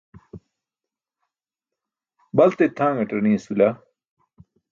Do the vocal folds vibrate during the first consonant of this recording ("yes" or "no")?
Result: yes